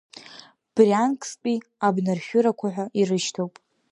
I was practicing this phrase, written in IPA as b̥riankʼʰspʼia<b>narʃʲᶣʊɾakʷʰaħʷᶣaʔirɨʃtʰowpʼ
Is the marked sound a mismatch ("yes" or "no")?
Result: no